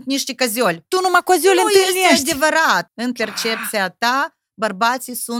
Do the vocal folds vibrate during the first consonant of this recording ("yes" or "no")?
no